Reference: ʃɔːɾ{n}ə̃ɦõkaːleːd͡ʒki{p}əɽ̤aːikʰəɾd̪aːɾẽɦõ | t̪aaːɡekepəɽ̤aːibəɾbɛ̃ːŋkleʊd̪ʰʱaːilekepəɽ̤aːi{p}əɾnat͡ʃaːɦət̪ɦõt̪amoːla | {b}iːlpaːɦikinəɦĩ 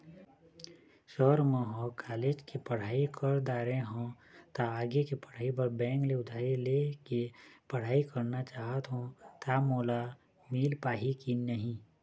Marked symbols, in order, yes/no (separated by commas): no, yes, no, no